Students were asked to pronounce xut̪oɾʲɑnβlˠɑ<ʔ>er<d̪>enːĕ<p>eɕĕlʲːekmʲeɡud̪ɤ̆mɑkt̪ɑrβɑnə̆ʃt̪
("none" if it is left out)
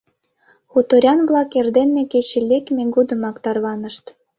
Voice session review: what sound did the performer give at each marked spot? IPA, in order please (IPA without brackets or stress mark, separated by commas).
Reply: k, d̪, k